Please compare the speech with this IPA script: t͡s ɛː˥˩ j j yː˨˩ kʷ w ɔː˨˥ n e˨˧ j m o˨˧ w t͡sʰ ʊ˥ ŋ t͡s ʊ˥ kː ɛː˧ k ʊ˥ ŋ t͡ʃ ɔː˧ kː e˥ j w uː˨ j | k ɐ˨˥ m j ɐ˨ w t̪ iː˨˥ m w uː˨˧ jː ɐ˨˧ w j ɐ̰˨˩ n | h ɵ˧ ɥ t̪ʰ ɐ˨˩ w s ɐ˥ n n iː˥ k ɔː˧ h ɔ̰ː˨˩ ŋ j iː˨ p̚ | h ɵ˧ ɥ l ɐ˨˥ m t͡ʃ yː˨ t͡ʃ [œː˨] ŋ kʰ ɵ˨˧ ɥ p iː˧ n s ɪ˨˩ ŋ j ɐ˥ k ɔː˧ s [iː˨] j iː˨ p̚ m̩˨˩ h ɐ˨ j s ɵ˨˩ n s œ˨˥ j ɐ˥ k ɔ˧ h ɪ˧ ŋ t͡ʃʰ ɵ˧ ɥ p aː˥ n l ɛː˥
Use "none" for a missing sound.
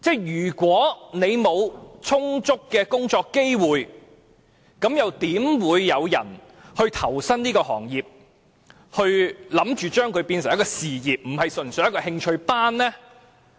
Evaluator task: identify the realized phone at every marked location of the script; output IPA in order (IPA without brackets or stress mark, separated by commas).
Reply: œː˥, iː˨